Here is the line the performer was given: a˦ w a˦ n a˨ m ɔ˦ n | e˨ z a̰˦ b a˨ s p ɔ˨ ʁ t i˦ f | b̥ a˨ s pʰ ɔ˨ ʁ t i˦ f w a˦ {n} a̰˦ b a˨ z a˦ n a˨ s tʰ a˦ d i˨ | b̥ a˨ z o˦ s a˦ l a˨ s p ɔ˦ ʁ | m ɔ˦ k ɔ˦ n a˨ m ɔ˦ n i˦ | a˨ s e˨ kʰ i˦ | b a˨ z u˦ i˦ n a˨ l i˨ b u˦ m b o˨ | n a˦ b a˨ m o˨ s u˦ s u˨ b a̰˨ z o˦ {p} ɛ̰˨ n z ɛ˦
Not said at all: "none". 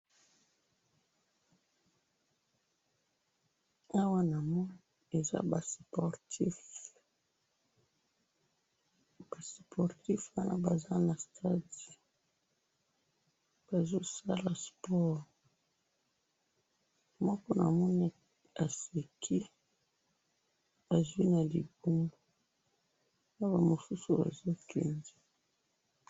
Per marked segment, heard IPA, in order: n, k

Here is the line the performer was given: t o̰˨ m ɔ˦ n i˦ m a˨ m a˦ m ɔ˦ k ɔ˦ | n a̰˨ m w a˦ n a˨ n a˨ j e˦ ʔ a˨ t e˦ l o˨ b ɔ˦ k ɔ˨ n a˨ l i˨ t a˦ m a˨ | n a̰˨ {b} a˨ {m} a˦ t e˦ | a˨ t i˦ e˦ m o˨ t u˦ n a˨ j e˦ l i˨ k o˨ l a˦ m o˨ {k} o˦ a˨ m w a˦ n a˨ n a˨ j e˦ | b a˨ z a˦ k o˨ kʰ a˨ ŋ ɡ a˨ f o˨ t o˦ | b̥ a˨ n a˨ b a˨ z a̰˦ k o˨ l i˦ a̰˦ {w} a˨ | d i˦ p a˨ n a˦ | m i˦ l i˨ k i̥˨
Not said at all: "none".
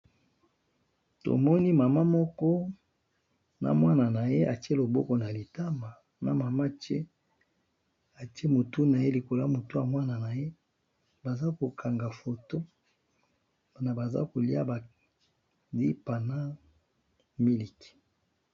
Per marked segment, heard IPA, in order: m, m, t, b

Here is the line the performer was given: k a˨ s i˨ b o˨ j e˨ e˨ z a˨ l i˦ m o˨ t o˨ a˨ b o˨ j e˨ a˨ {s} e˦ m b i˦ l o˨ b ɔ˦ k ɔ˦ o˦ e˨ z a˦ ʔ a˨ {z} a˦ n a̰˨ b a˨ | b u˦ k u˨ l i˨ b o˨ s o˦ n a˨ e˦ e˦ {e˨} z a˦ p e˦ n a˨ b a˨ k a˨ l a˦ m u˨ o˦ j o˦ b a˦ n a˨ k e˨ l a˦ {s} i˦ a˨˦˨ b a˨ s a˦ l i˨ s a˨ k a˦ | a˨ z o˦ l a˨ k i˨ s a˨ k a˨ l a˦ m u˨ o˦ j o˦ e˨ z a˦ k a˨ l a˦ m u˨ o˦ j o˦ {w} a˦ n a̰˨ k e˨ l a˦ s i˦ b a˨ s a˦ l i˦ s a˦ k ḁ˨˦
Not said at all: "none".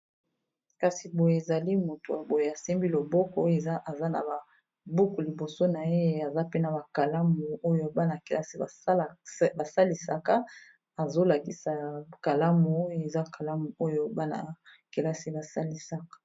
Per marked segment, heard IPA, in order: s, z, a˨, s, b

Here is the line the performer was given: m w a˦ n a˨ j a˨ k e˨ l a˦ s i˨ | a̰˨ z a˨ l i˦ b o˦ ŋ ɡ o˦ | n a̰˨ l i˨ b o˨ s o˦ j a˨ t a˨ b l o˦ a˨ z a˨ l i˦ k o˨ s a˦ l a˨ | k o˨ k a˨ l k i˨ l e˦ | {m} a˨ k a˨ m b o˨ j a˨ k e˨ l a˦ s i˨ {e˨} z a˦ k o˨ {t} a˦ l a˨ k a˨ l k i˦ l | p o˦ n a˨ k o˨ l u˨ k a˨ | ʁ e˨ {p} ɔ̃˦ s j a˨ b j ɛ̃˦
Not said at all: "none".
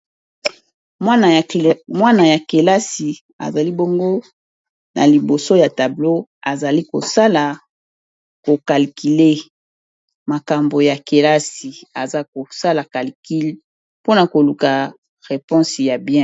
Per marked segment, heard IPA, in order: m, a˨, s, p

